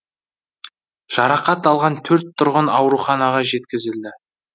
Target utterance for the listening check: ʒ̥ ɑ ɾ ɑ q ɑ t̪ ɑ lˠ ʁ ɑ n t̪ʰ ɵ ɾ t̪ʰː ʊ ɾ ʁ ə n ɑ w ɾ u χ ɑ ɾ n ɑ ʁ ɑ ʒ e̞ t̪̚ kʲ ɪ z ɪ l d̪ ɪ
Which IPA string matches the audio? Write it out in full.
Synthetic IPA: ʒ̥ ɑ ɾ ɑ q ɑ t̪ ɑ lˠ ʁ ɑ n t̪ʰ ɵ ɾ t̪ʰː ʊ ɾ ʁ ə n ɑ w ɾ u χ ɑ n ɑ ʁ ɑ ʒ e̞ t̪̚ kʲ ɪ z ɪ l d̪ ɪ